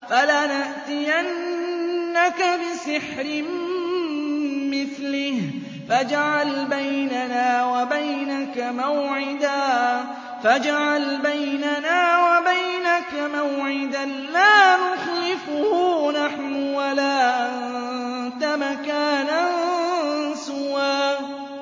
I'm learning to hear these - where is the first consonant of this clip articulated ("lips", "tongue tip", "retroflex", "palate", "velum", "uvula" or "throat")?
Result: lips